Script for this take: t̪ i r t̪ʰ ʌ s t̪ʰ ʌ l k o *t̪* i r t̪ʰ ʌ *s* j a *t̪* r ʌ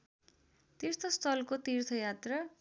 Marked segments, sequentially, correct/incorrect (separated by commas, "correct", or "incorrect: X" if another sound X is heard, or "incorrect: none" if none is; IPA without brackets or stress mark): correct, incorrect: none, correct